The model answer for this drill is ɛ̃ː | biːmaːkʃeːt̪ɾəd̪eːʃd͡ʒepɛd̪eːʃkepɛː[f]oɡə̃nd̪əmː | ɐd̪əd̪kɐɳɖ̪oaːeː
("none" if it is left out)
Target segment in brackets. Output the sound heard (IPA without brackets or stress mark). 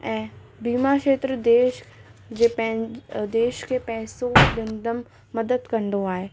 s